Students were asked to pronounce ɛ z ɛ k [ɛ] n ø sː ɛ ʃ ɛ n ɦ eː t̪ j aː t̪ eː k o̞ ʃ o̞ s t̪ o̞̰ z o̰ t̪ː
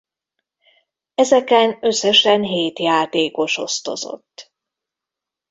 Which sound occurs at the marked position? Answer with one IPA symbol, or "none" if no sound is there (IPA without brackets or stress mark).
ɛ